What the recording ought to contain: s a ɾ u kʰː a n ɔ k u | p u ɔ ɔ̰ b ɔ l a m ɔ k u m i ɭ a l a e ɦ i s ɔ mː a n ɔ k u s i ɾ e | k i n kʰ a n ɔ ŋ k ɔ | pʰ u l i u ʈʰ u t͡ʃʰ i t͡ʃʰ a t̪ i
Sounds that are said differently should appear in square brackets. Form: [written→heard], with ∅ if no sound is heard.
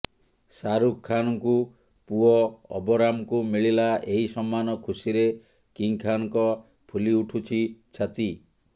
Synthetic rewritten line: s a ɾ u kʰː a n ɔ k u | p u ɔ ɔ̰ b ɔ [l→ɾ] a m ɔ k u m i ɭ [a→i] l a e ɦ i s ɔ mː a n ɔ [k→kʰ] u s i ɾ e | k i [n→ŋ] kʰ a n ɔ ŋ k ɔ | pʰ u l i u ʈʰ u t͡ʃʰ i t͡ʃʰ a t̪ i